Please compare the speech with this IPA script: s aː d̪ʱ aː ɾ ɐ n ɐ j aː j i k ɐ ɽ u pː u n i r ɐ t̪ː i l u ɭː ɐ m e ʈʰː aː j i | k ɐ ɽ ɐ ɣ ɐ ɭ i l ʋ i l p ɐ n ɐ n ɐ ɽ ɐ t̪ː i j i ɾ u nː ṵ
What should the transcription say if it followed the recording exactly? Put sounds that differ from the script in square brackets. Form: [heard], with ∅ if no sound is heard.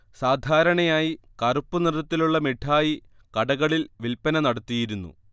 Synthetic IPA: s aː d̪ʱ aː ɾ ɐ [ɳ] ɐ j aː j i k ɐ [r] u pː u n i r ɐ t̪ː i l u ɭː ɐ m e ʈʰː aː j i | k ɐ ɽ ɐ ɣ ɐ ɭ i l ʋ i l p ɐ n ɐ n ɐ ɽ ɐ t̪ː i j i ɾ u nː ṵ